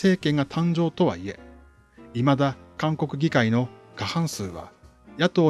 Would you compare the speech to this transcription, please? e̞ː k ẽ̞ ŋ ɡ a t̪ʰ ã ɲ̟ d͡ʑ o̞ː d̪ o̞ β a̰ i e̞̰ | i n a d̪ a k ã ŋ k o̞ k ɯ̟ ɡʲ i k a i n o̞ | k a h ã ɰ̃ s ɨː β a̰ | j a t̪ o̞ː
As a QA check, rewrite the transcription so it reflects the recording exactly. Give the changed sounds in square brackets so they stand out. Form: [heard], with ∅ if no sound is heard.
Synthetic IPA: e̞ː k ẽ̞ ŋ ɡ a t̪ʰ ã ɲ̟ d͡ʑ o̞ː [t̪] o̞ β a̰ i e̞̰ | i [m] a d̪ a k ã ŋ k o̞ k ɯ̟ ɡʲ i k a i n o̞ | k a h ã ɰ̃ s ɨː β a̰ | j a t̪ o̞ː